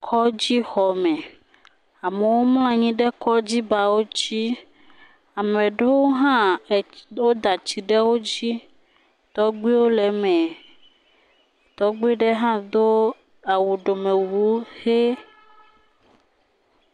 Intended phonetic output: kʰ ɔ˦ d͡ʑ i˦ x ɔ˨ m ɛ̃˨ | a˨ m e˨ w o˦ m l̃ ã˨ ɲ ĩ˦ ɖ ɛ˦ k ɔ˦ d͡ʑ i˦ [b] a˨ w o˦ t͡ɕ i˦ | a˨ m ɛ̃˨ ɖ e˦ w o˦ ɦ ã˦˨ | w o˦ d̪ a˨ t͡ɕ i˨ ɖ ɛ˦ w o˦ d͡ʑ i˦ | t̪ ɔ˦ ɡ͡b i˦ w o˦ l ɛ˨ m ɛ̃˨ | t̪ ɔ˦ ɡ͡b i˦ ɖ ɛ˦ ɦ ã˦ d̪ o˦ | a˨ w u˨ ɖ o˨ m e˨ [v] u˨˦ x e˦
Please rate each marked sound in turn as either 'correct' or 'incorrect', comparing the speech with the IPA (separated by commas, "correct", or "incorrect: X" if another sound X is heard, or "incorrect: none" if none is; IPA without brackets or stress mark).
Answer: correct, incorrect: w